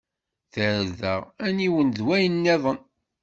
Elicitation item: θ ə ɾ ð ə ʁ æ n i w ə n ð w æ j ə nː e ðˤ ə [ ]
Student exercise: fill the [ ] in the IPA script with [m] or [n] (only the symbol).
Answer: n